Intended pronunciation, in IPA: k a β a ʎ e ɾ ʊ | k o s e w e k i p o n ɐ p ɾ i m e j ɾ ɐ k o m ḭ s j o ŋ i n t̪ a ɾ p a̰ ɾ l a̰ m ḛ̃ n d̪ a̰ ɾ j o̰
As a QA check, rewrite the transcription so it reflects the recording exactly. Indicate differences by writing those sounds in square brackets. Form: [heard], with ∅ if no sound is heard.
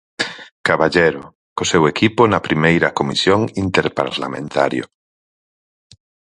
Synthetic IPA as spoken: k a β a ʎ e ɾ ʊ | k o s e w e k i p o n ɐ p ɾ i m e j ɾ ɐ k o m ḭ s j o ŋ i n t̪ [e] ɾ p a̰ ɾ l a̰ m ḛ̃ n [t̪] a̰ ɾ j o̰